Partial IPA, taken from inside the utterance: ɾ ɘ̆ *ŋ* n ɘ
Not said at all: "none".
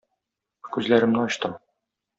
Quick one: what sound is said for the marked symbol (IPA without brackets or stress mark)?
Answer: m